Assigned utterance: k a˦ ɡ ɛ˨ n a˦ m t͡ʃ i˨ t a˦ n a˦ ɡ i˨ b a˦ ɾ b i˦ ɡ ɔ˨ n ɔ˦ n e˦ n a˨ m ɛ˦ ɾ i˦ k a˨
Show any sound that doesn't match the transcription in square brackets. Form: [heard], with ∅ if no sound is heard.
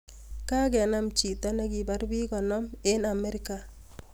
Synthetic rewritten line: k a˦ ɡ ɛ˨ n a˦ m t͡ʃ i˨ t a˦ n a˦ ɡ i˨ b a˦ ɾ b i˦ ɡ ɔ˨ n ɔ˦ [m] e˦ n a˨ m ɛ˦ ɾ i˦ k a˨